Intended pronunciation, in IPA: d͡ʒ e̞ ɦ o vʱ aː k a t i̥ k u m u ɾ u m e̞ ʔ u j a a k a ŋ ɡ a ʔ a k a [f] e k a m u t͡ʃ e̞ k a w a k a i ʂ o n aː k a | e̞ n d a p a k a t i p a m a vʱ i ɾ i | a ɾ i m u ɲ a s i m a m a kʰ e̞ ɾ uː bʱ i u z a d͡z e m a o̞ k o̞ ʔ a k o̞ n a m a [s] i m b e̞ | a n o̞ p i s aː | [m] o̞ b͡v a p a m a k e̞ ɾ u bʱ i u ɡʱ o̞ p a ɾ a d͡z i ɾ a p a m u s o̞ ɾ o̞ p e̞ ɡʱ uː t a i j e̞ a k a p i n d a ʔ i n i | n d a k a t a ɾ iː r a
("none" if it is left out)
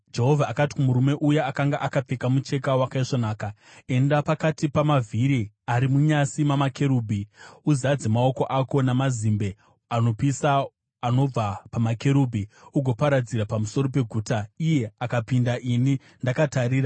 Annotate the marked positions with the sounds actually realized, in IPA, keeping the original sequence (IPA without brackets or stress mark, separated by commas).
p͡f, z, n